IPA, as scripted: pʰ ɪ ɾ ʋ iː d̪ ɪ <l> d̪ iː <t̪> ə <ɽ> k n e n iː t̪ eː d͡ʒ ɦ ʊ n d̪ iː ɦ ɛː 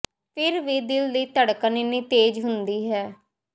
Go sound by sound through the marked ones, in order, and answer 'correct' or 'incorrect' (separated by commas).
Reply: correct, correct, correct